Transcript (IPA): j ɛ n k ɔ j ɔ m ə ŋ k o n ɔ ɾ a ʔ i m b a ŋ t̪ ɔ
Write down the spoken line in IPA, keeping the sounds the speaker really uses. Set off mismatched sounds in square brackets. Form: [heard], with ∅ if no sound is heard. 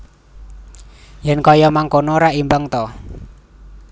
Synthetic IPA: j ɛ n k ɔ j ɔ m [a] ŋ k o n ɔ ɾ a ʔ i m b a ŋ t̪ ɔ